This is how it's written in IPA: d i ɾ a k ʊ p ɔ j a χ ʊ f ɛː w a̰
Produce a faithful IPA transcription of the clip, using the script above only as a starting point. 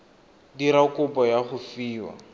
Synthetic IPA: d i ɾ a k ʊ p ɔ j a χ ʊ f iː w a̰